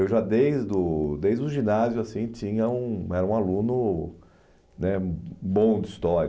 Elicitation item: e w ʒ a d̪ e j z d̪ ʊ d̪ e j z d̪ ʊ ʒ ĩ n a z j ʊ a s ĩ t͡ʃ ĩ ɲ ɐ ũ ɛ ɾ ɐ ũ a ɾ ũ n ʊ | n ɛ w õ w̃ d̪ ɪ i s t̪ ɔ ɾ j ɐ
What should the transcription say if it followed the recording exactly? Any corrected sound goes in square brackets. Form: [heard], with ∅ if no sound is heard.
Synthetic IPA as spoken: e w ʒ a d̪ e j z d̪ ʊ d̪ e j z d̪ ʊ ʒ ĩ n a z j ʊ a s ĩ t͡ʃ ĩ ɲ ɐ ũ ɛ ɾ ɐ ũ a [l] ũ n ʊ | n ɛ [b] õ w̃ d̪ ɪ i s t̪ ɔ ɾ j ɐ